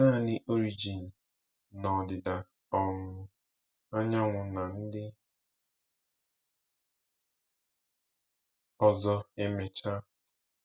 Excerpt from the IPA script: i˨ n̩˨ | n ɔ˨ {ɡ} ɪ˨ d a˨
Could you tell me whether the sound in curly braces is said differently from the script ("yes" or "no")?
yes